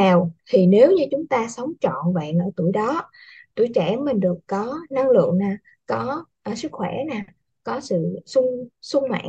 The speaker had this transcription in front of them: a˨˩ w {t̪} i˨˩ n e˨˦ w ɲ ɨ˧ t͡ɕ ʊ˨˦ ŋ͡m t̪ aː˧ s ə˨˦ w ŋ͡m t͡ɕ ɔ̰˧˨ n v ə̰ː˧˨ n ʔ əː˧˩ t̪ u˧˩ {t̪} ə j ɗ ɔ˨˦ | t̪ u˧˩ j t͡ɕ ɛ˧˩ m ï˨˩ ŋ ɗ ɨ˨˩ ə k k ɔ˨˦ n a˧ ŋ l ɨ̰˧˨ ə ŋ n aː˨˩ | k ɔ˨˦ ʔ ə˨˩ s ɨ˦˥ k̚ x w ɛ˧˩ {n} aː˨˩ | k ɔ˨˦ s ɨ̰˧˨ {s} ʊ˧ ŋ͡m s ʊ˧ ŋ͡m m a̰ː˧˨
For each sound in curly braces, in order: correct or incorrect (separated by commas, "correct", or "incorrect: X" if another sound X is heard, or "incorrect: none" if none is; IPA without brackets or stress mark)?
incorrect: t̪ʰ, incorrect: none, correct, correct